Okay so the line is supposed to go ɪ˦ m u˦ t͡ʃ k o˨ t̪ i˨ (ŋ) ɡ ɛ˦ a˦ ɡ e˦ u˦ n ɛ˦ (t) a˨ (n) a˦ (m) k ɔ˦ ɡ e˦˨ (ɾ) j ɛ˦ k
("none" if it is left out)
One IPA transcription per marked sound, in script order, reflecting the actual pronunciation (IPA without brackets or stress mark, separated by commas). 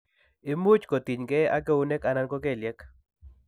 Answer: ɲ, k, n, n, l